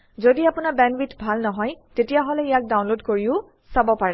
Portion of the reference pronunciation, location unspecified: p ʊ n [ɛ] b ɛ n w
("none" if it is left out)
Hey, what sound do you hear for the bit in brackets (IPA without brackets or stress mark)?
a